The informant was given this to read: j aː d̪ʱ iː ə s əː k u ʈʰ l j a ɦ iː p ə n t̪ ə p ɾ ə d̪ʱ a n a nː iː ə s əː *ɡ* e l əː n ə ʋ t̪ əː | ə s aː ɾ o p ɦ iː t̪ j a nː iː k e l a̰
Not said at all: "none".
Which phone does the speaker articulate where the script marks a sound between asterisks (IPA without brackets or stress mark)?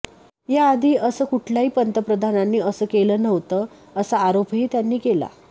k